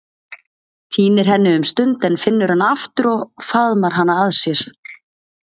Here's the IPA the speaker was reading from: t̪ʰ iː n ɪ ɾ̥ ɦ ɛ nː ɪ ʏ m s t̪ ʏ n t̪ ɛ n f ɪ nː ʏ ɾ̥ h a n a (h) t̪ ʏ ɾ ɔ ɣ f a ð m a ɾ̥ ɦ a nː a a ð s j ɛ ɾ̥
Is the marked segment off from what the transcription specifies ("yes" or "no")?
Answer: yes